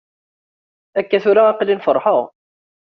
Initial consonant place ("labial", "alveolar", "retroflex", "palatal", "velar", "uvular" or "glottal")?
velar